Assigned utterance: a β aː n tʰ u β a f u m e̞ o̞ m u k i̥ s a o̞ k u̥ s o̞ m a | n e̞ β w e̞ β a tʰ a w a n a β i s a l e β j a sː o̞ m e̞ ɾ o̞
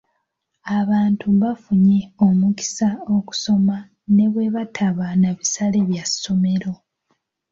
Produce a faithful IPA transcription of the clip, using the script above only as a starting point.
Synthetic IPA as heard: a β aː n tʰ u β a f u ɲ e̞ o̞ m u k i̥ s a o̞ k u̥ s o̞ m a | n e̞ β w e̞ β a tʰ a β a n a β i s a l e β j a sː o̞ m e̞ ɾ o̞